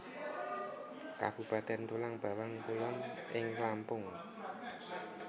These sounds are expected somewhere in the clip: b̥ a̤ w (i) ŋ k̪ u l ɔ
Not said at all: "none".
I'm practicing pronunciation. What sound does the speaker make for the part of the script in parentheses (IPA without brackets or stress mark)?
a